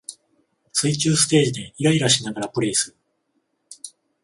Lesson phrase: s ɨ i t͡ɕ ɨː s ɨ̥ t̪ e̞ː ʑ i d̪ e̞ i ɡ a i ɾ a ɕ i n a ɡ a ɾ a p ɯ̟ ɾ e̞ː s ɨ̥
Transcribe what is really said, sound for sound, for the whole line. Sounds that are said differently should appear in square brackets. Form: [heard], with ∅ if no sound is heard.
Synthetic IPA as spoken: s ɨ i t͡ɕ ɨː s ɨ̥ t̪ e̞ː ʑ i d̪ e̞ i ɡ a i ɾ a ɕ i n a ɡ a ɾ a p ɯ̟ ɾ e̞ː s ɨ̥

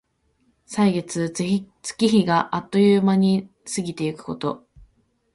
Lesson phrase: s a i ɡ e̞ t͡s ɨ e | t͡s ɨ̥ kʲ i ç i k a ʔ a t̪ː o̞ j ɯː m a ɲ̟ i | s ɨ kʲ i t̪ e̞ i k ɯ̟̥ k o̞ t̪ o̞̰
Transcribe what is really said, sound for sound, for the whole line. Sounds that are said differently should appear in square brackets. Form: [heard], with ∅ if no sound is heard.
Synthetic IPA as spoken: s a i ɡ e̞ t͡s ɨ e | t͡s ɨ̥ kʲ i ç i [ɡ] a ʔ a t̪ː o̞ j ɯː m a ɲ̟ i | s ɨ [ɡʲ] i t̪ e̞ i k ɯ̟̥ k o̞ t̪ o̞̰

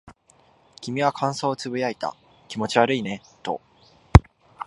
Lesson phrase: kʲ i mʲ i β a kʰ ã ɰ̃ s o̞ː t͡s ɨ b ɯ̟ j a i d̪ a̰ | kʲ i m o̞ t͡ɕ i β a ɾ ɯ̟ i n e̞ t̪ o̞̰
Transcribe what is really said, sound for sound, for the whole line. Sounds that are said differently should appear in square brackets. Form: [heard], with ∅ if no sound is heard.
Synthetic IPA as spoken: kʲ i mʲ i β a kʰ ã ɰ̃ s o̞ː t͡s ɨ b ɯ̟ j a i [t̪] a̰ | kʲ i m o̞ t͡ɕ i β a ɾ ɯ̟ i n e̞ t̪ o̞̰

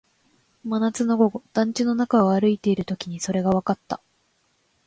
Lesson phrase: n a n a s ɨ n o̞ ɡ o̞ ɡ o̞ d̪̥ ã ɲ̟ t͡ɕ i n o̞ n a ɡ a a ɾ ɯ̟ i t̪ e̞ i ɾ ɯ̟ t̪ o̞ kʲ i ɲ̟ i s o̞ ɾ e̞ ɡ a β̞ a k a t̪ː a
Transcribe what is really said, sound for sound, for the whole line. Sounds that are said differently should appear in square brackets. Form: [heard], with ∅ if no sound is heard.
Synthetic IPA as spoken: [m] a n a [t͡s] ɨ n o̞ ɡ o̞ ɡ o̞ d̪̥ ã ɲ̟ t͡ɕ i n o̞ n a [k] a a ɾ ɯ̟ i t̪ e̞ i ɾ ɯ̟ t̪ o̞ kʲ i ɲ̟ i s o̞ ɾ e̞ ɡ a β̞ a k a t̪ː a

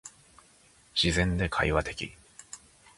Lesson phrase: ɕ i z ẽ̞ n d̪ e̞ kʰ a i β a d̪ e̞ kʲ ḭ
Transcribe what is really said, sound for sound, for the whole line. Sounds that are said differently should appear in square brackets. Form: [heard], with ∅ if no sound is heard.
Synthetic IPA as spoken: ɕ i z ẽ̞ n d̪ e̞ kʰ a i β a [t̪] e̞ kʲ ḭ

